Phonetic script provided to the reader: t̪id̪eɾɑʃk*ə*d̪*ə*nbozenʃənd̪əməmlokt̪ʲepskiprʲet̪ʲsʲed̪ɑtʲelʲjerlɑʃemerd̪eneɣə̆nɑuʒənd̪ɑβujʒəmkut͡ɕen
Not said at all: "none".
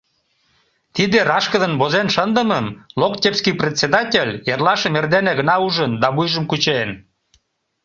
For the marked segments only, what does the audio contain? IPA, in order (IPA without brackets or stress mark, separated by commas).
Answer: ə, ə